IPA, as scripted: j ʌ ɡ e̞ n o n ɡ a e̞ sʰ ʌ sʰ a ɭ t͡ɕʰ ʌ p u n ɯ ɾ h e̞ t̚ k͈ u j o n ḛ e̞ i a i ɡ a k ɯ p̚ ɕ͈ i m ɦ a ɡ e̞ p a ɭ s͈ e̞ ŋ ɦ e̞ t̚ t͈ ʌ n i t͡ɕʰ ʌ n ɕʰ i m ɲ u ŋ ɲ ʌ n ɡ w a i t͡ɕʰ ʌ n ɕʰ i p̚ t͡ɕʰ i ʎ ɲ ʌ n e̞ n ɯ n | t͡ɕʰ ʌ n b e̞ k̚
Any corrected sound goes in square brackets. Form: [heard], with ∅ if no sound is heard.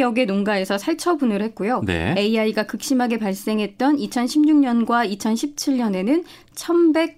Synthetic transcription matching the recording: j ʌ ɡ e̞ n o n ɡ a e̞ sʰ ʌ sʰ a ɭ t͡ɕʰ ʌ [b] u n ɯ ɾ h e̞ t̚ k͈ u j o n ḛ e̞ i a i ɡ a k ɯ [k̚] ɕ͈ i m ɦ a ɡ e̞ p a ɭ s͈ e̞ ŋ ɦ e̞ t̚ t͈ ʌ n i t͡ɕʰ ʌ n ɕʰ i m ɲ u ŋ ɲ ʌ n ɡ w a i t͡ɕʰ ʌ n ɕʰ i p̚ t͡ɕʰ i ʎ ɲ ʌ n e̞ n ɯ n | t͡ɕʰ ʌ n b e̞ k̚